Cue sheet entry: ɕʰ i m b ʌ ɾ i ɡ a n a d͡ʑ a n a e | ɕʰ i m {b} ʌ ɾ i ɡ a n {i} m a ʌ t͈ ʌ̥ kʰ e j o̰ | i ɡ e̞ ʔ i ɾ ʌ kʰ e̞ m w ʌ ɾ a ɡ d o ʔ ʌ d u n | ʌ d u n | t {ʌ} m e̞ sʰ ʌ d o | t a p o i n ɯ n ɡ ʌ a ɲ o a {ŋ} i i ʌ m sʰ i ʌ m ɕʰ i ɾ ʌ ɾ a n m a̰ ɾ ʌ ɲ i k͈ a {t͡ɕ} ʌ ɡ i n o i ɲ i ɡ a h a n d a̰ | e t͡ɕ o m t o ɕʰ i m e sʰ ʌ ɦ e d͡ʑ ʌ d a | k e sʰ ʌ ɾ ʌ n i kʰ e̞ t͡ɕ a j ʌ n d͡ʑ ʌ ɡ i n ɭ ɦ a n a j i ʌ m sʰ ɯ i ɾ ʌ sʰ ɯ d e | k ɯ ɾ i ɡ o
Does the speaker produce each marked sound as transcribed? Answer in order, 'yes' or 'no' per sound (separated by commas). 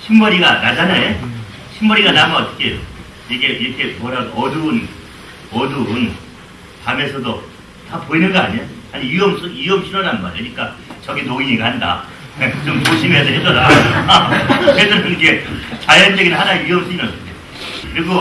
yes, no, no, no, yes